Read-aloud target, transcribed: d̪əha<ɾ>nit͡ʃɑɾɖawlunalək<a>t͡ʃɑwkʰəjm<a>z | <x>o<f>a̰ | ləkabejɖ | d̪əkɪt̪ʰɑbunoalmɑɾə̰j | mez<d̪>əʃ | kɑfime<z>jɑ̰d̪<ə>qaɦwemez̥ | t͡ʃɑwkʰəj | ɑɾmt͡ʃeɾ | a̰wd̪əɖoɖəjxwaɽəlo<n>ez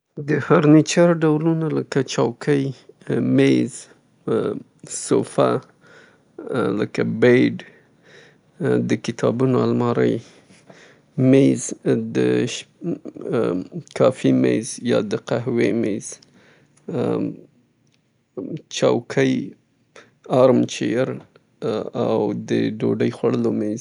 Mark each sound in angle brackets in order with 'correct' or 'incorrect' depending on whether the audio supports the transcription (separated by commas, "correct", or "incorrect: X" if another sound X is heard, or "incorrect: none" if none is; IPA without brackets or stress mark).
correct, correct, incorrect: e, incorrect: s, correct, correct, correct, correct, incorrect: m